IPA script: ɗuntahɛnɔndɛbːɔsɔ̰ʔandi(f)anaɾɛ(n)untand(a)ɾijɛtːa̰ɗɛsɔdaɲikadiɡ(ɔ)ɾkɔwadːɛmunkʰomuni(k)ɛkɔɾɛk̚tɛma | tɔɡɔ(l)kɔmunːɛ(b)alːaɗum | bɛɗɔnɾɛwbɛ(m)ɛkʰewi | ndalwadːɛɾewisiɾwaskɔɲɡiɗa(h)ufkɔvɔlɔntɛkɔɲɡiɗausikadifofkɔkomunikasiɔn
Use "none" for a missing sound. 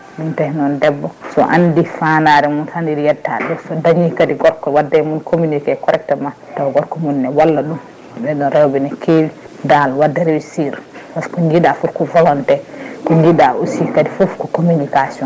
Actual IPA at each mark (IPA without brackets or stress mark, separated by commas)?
f, m, i, ɔ, k, ɾ, w, n, f